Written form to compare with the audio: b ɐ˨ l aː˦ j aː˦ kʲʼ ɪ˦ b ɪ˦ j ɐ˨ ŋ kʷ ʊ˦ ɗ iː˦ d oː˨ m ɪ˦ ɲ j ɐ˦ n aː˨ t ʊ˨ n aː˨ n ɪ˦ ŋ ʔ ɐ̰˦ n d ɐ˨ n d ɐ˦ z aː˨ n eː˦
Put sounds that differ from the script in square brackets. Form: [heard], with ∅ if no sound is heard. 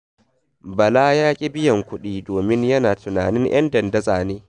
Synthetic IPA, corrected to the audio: b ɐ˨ l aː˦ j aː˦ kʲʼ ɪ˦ b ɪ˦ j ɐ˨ ŋ kʷ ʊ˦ ɗ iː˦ d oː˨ m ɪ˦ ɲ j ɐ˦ n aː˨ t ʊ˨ n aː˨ n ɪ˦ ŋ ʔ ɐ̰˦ n d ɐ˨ n d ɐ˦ z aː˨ n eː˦